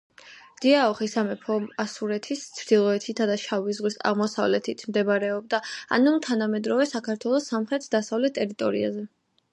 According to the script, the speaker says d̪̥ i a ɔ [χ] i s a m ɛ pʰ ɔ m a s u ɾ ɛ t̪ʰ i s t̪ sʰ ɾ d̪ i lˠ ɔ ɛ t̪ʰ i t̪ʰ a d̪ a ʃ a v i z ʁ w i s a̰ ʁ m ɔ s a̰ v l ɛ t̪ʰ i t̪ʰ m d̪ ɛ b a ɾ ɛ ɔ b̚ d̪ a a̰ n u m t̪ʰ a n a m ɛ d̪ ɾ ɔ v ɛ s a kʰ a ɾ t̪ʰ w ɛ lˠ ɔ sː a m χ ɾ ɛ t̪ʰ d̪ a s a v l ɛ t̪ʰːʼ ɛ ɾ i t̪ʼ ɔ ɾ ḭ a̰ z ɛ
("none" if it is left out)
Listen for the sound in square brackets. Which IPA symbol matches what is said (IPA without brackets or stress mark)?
χ